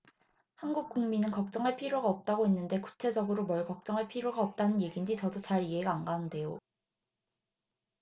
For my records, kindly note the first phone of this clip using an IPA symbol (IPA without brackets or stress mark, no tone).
h